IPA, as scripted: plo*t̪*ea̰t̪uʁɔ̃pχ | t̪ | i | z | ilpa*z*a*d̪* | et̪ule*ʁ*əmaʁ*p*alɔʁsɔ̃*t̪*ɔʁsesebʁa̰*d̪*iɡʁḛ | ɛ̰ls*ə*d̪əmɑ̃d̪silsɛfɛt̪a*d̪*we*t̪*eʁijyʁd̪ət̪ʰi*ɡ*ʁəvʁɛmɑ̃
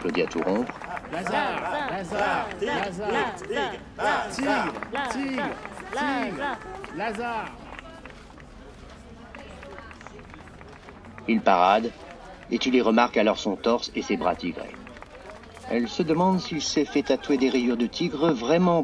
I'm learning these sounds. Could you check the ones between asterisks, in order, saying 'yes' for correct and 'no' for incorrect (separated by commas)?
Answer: no, no, yes, yes, no, yes, no, yes, no, no, yes